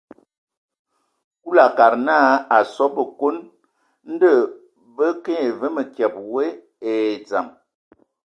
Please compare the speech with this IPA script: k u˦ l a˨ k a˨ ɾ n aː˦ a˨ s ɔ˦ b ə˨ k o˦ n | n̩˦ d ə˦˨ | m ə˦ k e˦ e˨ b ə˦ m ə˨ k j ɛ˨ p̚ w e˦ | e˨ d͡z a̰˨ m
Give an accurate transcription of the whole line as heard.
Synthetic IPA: k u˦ l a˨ k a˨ ɾ n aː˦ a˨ s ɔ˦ b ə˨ k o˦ n | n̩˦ d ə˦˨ | b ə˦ k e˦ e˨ v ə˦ m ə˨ k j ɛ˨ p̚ w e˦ | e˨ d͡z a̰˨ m